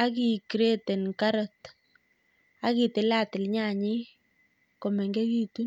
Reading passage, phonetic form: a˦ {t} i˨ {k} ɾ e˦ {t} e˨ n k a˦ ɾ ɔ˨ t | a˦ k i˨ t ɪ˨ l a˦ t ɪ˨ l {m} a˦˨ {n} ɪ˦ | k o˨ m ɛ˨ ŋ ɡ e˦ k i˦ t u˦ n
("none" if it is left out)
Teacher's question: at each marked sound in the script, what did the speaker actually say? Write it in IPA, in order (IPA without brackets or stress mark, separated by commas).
k, k, t, ɲ, ɲ